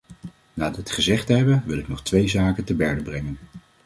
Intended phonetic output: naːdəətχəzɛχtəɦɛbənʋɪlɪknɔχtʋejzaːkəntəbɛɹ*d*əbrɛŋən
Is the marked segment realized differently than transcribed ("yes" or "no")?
no